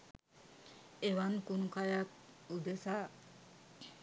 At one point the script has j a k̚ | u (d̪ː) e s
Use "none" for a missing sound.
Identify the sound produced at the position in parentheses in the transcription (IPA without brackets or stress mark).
d̪